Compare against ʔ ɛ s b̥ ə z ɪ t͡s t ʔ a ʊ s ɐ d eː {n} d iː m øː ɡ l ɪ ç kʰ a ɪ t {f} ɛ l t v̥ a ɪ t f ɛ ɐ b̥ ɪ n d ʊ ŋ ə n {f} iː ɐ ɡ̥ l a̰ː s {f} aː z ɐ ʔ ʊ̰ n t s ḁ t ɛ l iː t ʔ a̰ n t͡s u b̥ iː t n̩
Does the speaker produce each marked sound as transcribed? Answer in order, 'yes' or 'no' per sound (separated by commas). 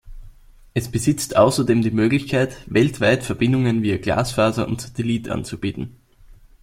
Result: no, no, no, yes